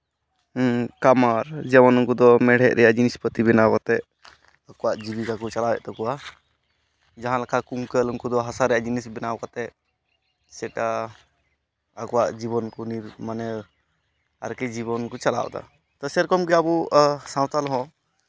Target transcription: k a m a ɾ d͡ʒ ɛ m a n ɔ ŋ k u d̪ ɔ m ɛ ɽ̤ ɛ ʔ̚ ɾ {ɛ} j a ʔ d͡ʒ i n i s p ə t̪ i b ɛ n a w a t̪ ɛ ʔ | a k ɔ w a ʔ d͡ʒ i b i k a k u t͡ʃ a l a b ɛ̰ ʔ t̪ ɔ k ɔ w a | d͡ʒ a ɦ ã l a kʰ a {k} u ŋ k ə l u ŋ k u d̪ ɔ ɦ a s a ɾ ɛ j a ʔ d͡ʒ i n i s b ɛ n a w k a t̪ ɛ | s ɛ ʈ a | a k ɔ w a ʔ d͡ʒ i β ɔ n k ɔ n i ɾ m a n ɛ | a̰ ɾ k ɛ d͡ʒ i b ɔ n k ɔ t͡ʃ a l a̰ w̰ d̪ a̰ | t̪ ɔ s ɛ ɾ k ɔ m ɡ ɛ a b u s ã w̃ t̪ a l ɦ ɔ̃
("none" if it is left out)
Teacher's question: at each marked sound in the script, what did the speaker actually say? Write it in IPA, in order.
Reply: ɛ, k

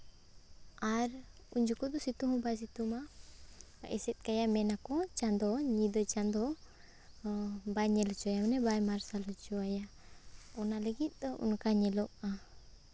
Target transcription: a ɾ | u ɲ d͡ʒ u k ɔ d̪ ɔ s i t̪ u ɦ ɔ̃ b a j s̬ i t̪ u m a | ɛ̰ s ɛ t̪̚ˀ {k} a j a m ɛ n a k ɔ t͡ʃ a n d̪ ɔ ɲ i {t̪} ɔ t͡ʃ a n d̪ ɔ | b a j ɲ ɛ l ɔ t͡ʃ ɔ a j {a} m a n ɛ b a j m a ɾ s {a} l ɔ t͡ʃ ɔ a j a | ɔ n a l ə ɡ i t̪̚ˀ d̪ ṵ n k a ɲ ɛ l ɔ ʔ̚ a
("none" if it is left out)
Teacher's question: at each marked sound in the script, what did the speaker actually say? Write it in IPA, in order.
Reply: k, d̪, a, a

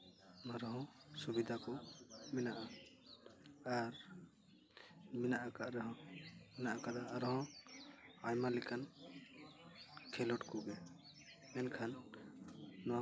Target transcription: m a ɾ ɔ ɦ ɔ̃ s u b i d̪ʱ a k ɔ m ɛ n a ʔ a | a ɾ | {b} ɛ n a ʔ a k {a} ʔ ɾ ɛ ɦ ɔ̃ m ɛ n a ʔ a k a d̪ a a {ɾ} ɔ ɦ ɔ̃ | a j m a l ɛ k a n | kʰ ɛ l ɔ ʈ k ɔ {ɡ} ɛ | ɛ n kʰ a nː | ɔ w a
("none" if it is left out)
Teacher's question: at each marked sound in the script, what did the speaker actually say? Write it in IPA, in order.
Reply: m, a, ɾ, ɡ

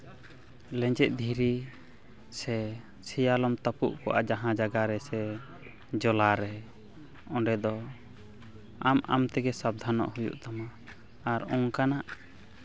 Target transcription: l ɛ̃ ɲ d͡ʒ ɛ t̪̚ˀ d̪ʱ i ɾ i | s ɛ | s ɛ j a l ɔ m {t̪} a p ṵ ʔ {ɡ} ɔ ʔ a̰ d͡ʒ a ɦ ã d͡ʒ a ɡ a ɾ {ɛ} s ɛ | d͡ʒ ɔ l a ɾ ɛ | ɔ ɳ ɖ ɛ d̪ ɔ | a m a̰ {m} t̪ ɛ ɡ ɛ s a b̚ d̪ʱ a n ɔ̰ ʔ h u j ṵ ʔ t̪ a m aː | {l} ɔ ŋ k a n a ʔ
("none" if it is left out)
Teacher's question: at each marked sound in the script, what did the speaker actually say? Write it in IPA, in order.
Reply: t̪, k, ɛ, m, ɾ

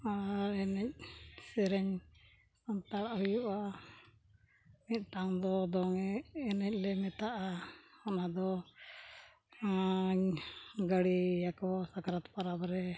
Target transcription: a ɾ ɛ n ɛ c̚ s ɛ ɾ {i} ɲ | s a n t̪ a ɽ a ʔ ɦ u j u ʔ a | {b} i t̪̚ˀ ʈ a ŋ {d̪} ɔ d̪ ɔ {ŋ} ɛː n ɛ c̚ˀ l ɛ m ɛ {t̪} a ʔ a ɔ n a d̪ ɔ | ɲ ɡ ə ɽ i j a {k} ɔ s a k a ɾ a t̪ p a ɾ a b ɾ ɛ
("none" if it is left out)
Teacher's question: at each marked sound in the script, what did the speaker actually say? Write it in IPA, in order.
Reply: ɛ, m, d̪, ŋ, t̪, k

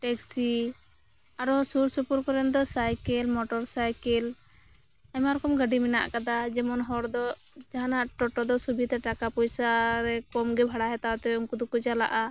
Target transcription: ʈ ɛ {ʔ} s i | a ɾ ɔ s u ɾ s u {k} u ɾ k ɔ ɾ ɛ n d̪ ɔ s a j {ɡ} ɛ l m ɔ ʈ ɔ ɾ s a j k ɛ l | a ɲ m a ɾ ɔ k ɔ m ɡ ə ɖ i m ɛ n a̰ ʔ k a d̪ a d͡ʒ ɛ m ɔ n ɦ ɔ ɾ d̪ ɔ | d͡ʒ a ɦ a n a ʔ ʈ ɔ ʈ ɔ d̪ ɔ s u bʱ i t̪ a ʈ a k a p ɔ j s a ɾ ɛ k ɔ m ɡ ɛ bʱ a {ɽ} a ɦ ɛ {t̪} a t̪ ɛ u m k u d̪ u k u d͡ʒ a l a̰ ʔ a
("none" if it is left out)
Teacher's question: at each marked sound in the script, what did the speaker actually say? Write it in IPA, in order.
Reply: k, p, k, ɽ, t̪

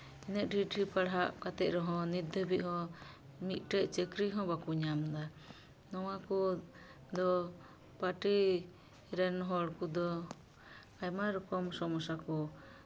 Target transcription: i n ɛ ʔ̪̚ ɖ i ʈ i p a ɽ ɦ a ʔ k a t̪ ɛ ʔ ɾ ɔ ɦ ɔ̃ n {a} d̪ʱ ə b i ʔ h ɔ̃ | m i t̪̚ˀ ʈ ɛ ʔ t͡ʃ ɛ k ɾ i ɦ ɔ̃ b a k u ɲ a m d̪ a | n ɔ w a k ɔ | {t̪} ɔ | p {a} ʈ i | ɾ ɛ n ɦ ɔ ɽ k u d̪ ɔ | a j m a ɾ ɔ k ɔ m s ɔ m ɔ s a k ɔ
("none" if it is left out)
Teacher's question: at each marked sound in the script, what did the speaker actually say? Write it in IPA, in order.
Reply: i, d̪, a

